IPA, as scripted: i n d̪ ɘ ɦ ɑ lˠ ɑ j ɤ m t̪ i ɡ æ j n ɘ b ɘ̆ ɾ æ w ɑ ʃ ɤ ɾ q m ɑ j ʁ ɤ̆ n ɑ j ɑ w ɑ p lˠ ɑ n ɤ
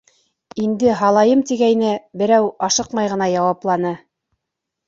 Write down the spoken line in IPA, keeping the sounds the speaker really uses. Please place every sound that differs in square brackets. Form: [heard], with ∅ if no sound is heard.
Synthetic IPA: i n d̪ ɘ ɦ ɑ lˠ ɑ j ɤ m t̪ i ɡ æ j n ɘ b ɘ̆ ɾ æ w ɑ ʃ ɤ [∅] q m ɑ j ʁ ɤ̆ n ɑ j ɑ w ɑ p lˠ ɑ n ɤ